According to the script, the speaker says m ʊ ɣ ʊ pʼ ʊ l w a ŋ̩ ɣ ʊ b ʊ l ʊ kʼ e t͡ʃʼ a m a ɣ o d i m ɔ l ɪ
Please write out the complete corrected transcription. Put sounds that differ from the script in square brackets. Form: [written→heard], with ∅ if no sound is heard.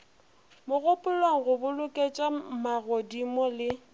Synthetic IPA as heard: m ʊ ɣ ʊ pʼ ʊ l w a ŋ̩ ɣ ʊ b ʊ l ʊ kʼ e t͡ʃʼ a m a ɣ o d i m ɔ l ɪ